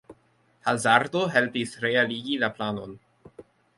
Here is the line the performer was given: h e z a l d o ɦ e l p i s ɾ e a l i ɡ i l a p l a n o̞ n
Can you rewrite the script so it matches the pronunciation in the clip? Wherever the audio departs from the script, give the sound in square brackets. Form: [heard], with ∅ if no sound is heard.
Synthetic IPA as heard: h [a] z a [ɾ] d o ɦ e l p i s ɾ e a l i ɡ i l a p l a n o̞ n